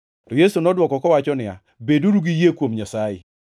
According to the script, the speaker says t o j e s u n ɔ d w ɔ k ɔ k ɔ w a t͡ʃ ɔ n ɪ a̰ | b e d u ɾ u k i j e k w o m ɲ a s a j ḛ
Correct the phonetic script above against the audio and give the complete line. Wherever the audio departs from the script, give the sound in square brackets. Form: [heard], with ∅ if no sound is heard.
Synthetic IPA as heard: t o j e s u n ɔ d w ɔ k ɔ k ɔ w a t͡ʃ ɔ n ɪ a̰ | b e d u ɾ u [ɡ] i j e k w o m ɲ a s a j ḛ